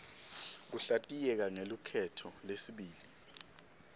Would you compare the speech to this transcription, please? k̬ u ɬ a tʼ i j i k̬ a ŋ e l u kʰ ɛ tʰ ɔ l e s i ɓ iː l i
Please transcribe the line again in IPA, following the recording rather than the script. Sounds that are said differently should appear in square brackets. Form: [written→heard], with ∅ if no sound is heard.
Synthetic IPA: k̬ u ɬ a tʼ i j [i→ɛ] k̬ a ŋ e l u kʰ ɛ tʰ ɔ l e s i ɓ iː l i